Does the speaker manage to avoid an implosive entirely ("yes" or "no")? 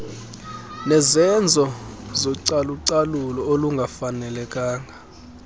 yes